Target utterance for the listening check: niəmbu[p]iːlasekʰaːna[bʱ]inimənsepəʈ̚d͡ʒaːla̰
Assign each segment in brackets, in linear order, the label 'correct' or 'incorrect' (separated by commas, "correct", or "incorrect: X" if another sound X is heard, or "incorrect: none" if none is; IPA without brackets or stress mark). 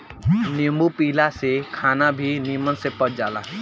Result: correct, correct